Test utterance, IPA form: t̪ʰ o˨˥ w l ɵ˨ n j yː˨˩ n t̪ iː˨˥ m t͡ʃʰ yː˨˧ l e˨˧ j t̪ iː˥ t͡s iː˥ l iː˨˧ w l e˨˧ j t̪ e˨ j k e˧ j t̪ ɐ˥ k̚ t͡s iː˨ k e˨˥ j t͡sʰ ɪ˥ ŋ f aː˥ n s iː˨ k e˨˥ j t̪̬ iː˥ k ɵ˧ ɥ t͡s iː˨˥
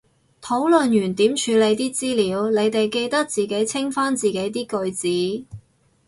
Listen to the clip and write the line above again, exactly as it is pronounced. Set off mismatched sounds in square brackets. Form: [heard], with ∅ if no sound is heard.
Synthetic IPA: t̪ʰ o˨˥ w l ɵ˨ n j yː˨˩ n t̪ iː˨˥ m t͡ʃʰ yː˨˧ l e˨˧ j t̪ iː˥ t͡s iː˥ l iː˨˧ w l e˨˧ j t̪ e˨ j k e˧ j t̪ ɐ˥ k̚ t͡s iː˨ k e˨˥ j t͡sʰ ɪ˥ ŋ f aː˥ n [t͡s] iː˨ k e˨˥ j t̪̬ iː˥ k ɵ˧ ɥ t͡s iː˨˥